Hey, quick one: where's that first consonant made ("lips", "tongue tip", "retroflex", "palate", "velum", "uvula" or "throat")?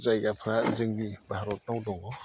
tongue tip